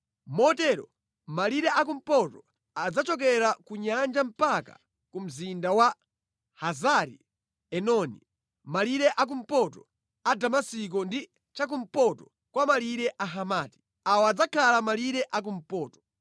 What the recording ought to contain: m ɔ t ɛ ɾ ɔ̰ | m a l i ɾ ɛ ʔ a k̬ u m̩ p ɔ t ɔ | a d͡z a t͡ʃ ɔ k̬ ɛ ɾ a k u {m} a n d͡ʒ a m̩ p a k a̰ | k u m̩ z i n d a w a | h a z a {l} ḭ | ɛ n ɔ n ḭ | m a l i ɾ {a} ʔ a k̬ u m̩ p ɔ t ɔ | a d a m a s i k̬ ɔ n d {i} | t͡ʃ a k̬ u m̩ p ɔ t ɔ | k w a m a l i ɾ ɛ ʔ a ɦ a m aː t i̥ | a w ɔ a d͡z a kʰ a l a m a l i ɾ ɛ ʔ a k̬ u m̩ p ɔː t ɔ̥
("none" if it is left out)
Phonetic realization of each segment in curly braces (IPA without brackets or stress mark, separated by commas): ɲ, ɾ, ɛ, i